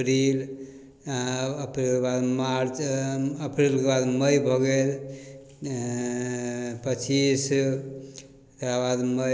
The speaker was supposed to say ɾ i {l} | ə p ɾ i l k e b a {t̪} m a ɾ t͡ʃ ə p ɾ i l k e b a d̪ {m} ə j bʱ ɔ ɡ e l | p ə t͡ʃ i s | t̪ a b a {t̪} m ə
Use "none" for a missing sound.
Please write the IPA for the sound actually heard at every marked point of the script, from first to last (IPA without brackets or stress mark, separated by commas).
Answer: l, d̪, m, d̪